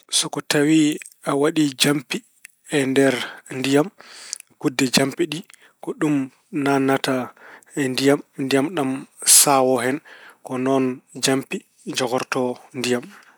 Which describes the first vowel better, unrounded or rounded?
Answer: rounded